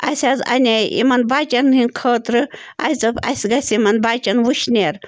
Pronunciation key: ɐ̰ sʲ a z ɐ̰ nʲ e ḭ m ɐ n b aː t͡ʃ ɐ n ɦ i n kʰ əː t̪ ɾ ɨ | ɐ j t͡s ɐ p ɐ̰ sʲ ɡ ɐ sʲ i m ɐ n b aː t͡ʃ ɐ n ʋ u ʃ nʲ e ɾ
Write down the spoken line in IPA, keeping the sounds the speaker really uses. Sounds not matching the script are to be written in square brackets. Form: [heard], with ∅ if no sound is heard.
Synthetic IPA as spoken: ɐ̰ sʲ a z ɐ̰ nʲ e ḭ m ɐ n b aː t͡ʃ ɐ n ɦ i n kʰ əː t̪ ɾ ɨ | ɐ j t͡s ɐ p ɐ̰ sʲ ɡ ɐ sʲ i m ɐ n b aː t͡ʃ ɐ n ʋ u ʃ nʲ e ɾ

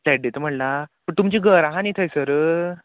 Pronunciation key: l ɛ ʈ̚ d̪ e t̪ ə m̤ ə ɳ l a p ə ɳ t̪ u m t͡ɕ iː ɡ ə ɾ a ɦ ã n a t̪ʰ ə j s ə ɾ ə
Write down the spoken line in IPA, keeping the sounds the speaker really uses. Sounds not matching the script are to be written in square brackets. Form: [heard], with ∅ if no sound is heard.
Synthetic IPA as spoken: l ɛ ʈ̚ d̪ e t̪ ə m̤ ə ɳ l a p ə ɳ t̪ u m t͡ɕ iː ɡ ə ɾ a ɦ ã n [i] t̪ʰ ə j s ə ɾ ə

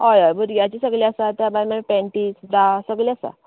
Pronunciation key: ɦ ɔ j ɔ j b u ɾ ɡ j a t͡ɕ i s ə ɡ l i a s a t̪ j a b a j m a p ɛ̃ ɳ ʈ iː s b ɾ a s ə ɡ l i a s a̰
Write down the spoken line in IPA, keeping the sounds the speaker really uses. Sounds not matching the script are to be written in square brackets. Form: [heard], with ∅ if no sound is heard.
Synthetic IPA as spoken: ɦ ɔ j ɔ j b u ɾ ɡ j a t͡ɕ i s ə ɡ l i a s a t̪ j a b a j m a p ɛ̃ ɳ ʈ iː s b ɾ a s ə ɡ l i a s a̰

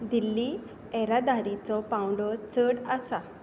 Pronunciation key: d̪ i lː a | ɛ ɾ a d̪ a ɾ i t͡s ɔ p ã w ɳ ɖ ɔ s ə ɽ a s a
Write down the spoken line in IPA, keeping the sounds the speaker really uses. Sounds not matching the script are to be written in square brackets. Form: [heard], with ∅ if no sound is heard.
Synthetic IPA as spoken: d̪ i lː [i] | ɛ ɾ a d̪ a ɾ i t͡s ɔ p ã w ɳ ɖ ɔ [t͡s] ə ɽ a s a

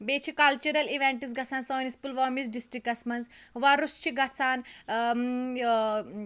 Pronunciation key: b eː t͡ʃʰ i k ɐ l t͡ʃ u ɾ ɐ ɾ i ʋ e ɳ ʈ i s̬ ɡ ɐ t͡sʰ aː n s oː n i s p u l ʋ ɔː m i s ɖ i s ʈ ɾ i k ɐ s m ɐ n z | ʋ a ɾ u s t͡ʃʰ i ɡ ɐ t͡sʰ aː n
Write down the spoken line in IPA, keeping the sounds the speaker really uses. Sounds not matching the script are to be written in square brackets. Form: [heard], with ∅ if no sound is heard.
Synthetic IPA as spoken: b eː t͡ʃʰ i k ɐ l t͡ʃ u ɾ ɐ [l] i ʋ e ɳ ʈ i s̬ ɡ ɐ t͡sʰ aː n s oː n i s p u l ʋ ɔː m i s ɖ i s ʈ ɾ i k ɐ s m ɐ n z | ʋ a ɾ u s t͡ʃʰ i ɡ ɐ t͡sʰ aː n

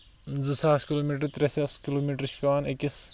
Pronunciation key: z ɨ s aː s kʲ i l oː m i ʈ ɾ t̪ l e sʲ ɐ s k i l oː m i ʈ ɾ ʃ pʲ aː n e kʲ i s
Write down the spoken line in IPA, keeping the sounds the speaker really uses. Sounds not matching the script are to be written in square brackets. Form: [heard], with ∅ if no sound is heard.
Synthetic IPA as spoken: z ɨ s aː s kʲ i l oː m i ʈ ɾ t̪ [ɾ] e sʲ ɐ s k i l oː m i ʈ ɾ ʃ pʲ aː n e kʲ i s

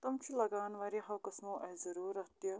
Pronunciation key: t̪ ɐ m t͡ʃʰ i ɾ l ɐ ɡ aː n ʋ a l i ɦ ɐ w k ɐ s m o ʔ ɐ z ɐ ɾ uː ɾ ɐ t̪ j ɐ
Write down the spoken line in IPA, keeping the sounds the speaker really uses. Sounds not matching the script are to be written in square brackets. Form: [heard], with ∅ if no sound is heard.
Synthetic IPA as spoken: t̪ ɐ m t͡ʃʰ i [∅] l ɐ ɡ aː n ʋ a [ɾ] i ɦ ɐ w k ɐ s m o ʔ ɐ z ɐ ɾ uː ɾ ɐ t̪ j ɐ

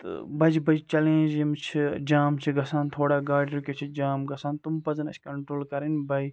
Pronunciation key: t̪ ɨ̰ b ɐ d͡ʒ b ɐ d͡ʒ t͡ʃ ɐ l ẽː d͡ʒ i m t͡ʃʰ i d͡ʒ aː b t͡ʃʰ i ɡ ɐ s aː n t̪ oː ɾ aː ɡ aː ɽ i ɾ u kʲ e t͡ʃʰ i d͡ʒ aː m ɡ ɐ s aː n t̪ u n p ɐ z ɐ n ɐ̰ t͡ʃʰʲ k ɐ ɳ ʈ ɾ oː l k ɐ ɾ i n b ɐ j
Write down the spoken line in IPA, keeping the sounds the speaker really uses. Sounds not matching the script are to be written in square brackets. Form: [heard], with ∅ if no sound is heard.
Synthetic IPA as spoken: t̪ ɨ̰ b ɐ d͡ʒ b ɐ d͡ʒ t͡ʃ ɐ l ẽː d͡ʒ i m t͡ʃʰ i d͡ʒ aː [m] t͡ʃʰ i ɡ ɐ s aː n [t̪ʰ] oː [ɽ] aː ɡ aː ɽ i ɾ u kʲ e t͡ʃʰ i d͡ʒ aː m ɡ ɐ s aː n t̪ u [m] p ɐ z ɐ n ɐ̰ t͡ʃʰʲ k ɐ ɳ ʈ ɾ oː l k ɐ ɾ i n b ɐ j

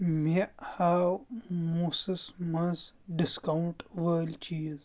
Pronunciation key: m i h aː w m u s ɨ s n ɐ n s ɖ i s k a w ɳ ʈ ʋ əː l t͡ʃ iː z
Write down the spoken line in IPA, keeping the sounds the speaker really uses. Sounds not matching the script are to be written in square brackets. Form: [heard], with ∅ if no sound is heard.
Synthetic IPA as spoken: m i h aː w m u s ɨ s [m] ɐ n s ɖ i s k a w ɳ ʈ ʋ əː l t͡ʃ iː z

